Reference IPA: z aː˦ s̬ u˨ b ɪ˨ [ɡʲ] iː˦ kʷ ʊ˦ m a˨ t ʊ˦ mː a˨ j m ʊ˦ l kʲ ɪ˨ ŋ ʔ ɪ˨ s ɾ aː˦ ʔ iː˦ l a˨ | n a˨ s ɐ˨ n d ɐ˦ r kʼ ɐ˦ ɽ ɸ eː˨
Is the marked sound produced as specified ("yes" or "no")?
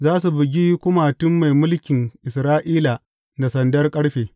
yes